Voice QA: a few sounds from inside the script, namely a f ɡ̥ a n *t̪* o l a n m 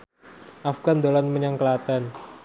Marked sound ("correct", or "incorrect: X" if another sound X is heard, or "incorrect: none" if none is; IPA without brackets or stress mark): incorrect: d̪